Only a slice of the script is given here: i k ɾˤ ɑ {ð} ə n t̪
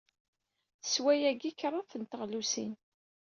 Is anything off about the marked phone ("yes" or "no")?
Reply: yes